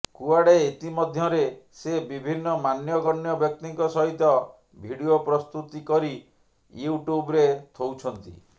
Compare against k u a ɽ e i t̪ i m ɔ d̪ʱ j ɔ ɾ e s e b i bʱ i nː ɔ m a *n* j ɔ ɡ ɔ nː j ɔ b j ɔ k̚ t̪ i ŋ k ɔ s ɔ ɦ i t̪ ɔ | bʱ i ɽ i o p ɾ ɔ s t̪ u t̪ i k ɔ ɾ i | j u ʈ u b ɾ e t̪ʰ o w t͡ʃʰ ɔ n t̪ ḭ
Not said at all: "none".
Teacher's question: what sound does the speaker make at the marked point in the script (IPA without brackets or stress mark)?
n